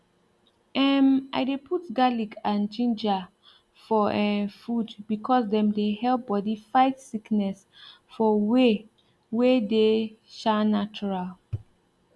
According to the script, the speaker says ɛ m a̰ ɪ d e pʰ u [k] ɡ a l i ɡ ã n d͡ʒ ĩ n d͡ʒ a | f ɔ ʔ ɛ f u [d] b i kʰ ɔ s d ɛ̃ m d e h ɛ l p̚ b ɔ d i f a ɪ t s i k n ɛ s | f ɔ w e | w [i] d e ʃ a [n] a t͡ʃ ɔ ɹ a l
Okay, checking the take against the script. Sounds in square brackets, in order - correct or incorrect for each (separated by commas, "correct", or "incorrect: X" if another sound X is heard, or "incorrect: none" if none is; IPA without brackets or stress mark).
incorrect: t, correct, incorrect: e, correct